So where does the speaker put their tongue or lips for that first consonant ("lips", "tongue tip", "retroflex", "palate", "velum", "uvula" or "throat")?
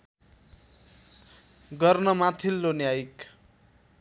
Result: velum